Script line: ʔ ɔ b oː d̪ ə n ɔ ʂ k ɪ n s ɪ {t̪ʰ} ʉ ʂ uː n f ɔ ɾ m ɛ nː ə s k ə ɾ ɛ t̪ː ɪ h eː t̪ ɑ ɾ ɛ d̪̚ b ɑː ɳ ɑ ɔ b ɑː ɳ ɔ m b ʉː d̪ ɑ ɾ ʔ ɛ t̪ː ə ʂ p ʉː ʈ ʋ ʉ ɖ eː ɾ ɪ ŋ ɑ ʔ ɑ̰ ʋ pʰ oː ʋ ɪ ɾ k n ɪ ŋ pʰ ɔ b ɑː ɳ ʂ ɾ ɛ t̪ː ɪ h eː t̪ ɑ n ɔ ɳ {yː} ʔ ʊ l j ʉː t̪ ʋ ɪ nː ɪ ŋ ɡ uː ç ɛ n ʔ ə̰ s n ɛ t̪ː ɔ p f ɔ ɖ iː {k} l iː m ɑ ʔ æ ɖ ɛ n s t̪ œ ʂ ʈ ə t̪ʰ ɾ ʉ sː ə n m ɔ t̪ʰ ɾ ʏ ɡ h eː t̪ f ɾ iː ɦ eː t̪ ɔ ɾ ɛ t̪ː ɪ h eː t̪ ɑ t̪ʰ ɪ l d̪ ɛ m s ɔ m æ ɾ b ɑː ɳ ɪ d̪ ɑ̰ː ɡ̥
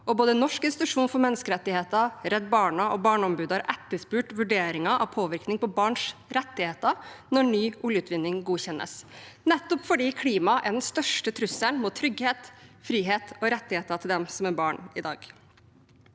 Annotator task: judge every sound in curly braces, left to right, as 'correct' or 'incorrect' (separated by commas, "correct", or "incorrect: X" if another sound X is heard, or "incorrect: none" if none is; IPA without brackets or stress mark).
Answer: incorrect: t̪, correct, incorrect: kʰ